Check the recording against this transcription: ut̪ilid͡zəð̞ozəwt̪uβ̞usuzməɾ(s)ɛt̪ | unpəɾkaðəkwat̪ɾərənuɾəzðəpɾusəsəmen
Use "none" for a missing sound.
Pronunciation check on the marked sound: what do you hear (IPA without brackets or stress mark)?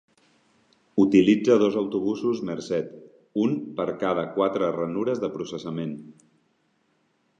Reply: s